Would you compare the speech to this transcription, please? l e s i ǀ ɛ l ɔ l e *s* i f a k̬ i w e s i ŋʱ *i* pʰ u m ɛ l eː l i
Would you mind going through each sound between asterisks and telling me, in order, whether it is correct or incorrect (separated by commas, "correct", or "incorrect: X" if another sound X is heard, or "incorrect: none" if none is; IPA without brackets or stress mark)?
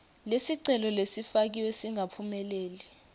correct, incorrect: a